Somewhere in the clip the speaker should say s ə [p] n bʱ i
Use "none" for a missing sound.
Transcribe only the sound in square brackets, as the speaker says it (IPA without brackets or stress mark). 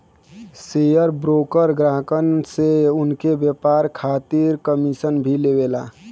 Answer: none